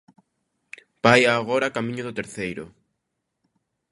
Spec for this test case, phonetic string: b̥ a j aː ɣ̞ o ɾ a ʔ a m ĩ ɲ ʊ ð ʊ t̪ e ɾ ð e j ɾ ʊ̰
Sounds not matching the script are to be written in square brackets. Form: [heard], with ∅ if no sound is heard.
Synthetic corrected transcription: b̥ a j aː ɣ̞ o ɾ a [k] a m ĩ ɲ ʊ ð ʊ t̪ e ɾ [θ] e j ɾ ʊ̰